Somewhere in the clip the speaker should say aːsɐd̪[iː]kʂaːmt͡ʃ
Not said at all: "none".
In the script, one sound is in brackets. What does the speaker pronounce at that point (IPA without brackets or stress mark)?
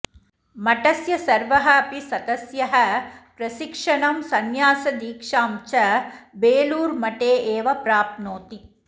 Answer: iː